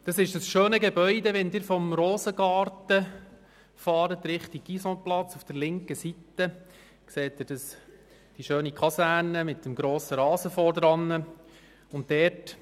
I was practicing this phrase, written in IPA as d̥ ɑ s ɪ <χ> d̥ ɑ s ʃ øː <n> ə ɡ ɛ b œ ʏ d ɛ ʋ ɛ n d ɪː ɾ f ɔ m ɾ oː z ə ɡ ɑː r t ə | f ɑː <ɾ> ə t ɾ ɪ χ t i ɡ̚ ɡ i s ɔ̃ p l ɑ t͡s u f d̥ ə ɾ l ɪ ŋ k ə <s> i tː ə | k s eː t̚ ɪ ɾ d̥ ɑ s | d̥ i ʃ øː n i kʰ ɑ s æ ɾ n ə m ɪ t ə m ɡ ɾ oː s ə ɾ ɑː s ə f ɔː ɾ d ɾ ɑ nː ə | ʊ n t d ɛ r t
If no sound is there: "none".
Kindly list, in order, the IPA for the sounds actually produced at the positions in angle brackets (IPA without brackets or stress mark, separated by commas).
ʃ, n, ɾ, s